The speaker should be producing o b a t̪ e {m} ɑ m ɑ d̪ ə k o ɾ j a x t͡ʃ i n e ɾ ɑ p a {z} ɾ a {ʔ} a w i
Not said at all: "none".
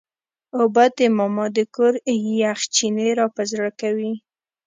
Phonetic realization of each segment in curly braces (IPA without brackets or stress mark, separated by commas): m, z, k